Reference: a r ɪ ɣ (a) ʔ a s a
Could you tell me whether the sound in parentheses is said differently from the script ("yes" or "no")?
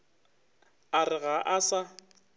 no